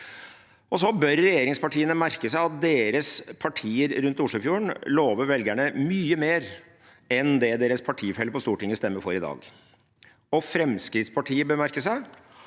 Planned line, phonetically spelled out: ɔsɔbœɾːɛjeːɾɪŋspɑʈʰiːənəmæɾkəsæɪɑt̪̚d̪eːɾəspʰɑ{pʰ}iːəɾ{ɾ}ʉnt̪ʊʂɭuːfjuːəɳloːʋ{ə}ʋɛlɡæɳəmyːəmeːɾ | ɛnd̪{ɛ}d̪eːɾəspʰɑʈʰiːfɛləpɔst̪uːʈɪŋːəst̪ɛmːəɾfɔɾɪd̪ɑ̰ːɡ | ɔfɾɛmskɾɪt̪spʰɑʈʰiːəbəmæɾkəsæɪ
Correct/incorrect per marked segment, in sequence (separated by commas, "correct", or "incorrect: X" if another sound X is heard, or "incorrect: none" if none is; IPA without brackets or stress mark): incorrect: ʈʰ, correct, correct, correct